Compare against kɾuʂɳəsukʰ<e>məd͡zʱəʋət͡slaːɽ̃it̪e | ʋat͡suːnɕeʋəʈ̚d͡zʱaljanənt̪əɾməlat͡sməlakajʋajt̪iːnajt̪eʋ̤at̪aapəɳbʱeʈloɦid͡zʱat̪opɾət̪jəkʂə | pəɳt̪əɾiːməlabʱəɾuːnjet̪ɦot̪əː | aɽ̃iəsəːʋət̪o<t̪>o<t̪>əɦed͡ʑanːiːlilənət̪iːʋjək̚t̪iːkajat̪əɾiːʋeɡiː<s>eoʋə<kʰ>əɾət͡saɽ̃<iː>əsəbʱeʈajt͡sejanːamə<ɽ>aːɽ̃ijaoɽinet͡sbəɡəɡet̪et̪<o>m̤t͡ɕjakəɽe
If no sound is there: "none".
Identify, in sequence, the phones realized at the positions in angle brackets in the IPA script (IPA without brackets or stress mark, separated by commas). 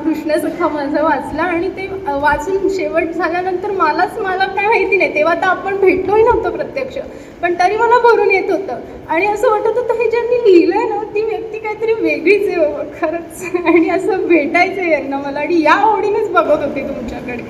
a, t̪, t̪, t͡s, kʰ, i, l, u